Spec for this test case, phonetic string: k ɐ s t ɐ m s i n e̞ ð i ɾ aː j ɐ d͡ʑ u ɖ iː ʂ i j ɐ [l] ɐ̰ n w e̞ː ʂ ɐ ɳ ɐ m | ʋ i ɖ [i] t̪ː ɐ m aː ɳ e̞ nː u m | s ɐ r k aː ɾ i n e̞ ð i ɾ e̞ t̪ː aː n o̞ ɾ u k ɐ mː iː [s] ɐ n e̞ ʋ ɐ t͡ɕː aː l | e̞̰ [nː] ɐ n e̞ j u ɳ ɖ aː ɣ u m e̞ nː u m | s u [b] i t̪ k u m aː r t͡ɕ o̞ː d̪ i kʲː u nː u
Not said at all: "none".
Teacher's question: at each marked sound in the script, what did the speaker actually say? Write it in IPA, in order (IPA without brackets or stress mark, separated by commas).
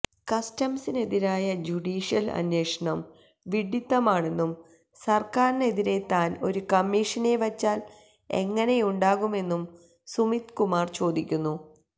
l, i, ʂ, ŋː, m